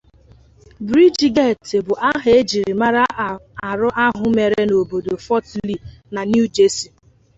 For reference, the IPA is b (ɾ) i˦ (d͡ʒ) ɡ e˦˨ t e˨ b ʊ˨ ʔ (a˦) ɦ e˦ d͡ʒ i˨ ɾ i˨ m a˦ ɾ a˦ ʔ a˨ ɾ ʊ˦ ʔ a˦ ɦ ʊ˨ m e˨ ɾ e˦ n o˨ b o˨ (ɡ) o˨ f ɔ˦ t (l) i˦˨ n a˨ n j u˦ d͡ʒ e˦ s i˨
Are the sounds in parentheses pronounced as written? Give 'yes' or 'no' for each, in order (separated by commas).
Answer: yes, yes, yes, no, yes